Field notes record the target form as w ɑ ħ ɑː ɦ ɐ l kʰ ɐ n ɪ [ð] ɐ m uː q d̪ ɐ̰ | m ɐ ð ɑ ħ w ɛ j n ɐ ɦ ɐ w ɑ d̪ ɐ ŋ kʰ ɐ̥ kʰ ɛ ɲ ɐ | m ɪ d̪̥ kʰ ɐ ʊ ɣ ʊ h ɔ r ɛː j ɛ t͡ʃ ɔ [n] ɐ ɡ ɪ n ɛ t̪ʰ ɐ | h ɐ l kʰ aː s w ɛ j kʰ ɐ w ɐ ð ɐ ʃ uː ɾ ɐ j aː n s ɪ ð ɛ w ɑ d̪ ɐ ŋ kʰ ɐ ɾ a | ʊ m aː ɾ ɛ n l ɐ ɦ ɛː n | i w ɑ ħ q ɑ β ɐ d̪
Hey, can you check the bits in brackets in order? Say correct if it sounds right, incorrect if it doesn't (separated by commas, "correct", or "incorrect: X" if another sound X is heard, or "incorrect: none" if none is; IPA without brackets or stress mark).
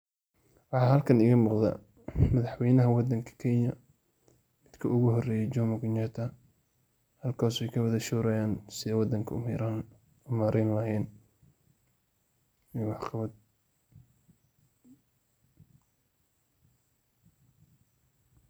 incorrect: ɣ, incorrect: m